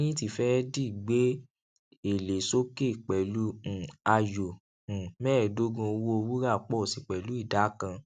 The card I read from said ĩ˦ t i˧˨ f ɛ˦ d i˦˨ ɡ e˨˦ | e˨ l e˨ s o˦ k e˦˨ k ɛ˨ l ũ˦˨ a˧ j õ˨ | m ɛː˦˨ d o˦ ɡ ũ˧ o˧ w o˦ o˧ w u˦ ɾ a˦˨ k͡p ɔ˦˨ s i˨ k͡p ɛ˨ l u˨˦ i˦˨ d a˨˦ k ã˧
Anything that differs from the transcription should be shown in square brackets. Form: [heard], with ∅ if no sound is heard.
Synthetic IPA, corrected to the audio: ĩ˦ t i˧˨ f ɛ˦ d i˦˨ [ɡ͡b] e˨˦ | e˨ l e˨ s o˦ k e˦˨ [k͡p] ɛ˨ l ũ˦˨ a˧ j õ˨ | m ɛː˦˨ d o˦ ɡ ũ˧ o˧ w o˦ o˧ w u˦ ɾ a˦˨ k͡p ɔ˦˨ s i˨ k͡p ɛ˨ l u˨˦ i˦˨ d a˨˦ k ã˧

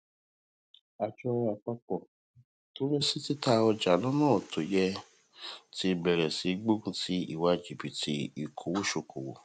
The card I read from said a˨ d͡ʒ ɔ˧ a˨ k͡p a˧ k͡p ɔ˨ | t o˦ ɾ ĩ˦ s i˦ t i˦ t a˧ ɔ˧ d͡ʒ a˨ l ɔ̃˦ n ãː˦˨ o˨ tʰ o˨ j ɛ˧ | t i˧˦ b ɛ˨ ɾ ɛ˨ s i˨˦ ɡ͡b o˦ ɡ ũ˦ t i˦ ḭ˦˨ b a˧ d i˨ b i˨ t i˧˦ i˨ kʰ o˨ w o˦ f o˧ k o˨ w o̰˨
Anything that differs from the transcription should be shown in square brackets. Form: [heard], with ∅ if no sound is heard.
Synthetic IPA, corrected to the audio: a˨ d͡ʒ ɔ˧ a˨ k͡p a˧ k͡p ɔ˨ | t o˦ ɾ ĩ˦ s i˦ t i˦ t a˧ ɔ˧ d͡ʒ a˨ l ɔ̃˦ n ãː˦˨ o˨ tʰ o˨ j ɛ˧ | t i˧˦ b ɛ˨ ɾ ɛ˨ s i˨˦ ɡ͡b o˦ ɡ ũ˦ t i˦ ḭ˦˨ [w] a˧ [d͡ʒ] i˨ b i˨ t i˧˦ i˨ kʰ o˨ w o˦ [ʃ] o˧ k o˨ w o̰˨

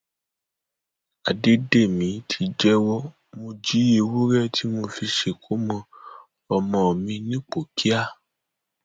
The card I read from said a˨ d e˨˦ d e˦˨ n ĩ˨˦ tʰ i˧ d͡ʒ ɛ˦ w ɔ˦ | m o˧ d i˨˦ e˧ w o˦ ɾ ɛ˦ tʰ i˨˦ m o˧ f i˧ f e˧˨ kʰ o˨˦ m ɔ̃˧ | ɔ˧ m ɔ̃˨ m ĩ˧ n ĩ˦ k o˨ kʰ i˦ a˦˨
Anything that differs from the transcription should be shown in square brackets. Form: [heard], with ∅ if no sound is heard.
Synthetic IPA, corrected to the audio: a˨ d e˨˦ d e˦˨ [m] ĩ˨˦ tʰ i˧ d͡ʒ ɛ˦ w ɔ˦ | m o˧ [d͡ʒ] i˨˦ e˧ w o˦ ɾ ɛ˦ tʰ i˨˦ m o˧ f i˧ [ʃ] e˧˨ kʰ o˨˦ m ɔ̃˧ | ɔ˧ m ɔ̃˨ m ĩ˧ n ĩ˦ [k͡p] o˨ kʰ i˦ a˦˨

